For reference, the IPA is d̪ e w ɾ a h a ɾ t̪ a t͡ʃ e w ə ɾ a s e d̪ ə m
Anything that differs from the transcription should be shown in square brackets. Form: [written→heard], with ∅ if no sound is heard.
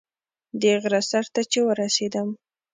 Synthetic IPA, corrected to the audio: d̪ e [w→ɣ] ɾ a [h→s] a ɾ t̪ a t͡ʃ e w ə ɾ a s e d̪ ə m